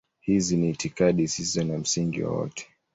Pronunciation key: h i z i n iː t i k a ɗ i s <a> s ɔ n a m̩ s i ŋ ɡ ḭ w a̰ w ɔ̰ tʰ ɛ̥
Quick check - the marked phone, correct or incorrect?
incorrect